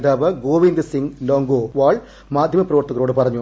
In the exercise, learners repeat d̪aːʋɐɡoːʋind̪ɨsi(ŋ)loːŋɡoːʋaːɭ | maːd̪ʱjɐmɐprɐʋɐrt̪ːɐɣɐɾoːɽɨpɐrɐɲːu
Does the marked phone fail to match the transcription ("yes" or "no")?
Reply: no